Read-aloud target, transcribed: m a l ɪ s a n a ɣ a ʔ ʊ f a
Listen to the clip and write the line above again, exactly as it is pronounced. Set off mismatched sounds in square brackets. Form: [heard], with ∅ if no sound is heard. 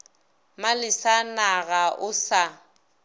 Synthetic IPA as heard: m a l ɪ s a n a ɣ a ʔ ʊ [s] a